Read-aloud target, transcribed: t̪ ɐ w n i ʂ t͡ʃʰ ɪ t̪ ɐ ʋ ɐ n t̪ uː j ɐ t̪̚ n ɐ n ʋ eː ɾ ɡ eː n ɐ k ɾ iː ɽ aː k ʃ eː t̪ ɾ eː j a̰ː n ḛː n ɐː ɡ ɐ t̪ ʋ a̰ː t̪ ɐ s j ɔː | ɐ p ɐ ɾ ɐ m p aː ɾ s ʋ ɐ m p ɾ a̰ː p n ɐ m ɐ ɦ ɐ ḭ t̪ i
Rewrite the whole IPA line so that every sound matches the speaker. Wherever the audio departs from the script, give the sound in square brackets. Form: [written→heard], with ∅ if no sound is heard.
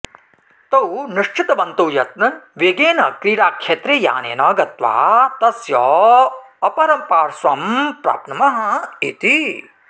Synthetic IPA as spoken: t̪ ɐ w n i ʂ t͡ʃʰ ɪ t̪ ɐ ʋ ɐ n t̪ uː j ɐ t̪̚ n ɐ n ʋ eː [ɾ→∅] ɡ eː n ɐ k ɾ iː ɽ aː k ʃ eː t̪ ɾ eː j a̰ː n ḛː n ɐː ɡ ɐ t̪ ʋ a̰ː t̪ ɐ s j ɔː | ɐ p ɐ ɾ ɐ m p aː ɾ s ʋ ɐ m p ɾ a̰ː p n ɐ m ɐ ɦ ɐ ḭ t̪ i